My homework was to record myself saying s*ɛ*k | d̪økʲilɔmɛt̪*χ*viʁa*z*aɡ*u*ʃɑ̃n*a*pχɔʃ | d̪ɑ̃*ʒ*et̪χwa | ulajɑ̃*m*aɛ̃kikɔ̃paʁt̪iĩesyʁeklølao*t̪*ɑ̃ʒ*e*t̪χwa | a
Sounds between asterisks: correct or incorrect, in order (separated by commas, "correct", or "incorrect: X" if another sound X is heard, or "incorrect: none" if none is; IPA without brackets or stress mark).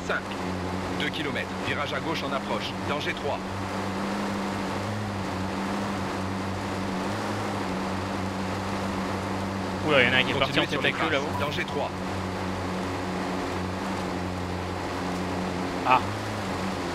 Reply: incorrect: ɛ̃, correct, incorrect: ʒ, incorrect: o, correct, correct, incorrect: n, incorrect: d̪, correct